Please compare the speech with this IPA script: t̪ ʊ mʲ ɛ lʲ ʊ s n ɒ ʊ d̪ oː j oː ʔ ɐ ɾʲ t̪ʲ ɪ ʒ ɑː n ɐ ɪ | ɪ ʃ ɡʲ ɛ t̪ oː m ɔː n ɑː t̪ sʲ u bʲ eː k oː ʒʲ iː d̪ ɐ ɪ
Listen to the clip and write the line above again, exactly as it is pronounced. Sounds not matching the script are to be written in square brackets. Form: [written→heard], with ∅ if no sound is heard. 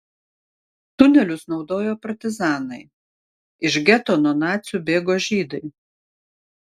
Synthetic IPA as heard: t̪ ʊ [mʲ→nʲ] ɛ lʲ ʊ s n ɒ ʊ d̪ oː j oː [ʔ→p] ɐ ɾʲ t̪ʲ ɪ [ʒ→z] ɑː n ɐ ɪ | ɪ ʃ ɡʲ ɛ t̪ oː [m→n] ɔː n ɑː t̪ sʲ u bʲ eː [k→ɡ] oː ʒʲ iː d̪ ɐ ɪ